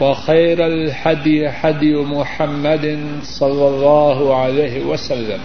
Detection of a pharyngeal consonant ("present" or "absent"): present